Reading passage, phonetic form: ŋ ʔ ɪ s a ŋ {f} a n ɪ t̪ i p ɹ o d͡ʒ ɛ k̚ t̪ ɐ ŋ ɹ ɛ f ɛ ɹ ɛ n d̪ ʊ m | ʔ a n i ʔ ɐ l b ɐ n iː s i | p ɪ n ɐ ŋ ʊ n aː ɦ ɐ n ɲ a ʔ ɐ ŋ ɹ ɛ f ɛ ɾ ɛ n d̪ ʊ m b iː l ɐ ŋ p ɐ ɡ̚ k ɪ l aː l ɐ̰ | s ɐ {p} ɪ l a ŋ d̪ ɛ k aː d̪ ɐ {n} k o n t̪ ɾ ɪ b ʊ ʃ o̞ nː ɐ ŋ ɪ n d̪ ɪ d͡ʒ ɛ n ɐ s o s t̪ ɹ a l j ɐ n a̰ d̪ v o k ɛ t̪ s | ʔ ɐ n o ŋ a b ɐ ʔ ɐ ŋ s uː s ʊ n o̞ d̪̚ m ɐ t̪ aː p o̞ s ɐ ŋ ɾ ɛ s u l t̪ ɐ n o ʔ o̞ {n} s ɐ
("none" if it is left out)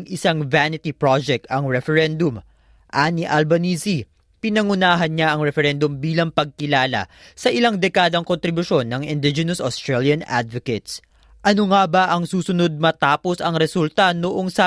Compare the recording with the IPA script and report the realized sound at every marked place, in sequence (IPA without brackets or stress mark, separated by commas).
v, ʔ, ŋ, ŋ